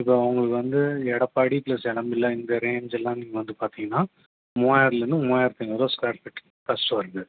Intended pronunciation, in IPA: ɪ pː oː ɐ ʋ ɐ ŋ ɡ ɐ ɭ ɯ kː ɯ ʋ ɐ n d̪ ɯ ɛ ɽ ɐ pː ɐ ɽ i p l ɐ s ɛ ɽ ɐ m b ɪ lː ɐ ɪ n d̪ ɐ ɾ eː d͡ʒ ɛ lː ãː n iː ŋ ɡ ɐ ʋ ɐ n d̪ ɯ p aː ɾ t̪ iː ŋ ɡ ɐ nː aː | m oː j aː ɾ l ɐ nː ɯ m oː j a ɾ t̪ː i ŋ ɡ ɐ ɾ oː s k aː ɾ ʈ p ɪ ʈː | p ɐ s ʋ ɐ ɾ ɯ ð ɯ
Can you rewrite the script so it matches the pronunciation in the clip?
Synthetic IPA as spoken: ɪ pː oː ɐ ʋ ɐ ŋ ɡ ɐ ɭ ɯ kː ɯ ʋ ɐ n d̪ ɯ ɛ ɽ ɐ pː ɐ ɽ i p l ɐ s ɛ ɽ ɐ m b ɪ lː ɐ ɪ n d̪ ɐ ɾ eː d͡ʒ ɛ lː ãː n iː ŋ ɡ ɐ ʋ ɐ n d̪ ɯ p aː ɾ t̪ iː ŋ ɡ ɐ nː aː | m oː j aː ɾ l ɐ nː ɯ m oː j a ɾ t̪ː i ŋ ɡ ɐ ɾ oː s k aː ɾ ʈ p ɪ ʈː | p ɐ s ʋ ɐ ɾ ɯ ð ɯ